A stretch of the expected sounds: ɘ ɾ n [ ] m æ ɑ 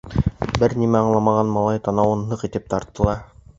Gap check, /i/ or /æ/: i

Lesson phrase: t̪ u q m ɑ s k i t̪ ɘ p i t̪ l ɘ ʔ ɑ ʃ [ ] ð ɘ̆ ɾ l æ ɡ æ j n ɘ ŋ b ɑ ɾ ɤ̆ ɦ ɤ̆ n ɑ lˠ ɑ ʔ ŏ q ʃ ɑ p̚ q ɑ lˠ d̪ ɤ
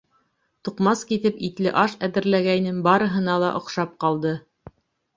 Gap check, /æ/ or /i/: æ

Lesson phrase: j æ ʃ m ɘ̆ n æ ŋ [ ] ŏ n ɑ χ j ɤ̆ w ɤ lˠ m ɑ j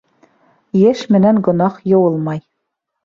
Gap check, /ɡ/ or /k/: ɡ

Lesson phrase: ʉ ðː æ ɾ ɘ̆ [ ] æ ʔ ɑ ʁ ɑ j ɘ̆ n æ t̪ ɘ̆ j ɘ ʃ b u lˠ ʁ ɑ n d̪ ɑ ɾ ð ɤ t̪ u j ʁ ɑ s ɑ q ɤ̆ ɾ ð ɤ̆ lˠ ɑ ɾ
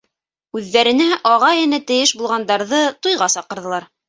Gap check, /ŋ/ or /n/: n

